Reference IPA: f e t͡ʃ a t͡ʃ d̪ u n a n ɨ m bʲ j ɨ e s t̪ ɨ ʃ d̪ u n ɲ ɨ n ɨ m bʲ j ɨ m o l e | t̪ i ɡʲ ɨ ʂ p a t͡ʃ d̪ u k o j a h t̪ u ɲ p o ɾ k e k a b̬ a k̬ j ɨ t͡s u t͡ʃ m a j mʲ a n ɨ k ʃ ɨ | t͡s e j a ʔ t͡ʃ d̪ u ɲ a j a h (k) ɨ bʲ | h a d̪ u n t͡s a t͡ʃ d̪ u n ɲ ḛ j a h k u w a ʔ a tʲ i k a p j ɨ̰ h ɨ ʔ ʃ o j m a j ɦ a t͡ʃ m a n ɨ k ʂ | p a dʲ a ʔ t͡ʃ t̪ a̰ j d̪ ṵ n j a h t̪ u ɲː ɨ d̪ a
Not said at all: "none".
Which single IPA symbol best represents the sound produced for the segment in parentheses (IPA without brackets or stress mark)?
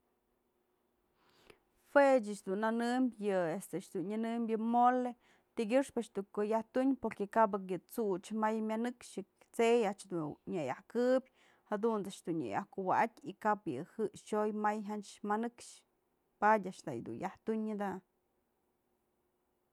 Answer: k